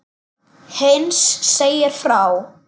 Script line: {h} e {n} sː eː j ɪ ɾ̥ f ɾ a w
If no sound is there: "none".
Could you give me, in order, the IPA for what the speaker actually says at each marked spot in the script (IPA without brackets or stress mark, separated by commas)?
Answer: h, n